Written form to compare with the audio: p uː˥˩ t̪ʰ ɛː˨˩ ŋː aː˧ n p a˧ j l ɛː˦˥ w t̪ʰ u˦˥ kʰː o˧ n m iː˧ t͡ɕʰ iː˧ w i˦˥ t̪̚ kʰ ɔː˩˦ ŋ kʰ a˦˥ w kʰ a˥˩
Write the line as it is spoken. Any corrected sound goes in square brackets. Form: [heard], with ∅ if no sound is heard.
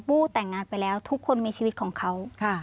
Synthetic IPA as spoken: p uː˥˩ [t̪] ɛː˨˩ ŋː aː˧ n p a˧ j l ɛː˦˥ w t̪ʰ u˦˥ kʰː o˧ n m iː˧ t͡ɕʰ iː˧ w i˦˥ t̪̚ kʰ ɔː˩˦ ŋ kʰ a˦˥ w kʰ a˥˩